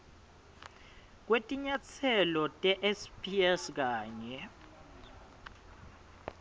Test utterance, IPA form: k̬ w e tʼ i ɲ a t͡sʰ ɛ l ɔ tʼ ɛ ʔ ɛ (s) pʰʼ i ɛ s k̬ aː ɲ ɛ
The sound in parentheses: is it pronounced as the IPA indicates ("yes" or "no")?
yes